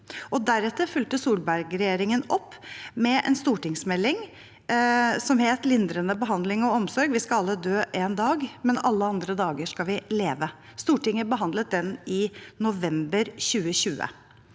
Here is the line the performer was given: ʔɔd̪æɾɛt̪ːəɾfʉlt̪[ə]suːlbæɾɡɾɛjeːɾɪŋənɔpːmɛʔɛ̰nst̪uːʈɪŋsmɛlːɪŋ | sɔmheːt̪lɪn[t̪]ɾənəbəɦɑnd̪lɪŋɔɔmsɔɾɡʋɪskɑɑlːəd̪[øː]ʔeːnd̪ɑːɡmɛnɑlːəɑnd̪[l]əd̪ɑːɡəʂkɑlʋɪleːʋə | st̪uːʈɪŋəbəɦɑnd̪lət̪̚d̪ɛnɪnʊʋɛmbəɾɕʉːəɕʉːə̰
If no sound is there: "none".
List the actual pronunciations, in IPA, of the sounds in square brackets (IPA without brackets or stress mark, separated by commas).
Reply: ə, d̪, øː, ɾ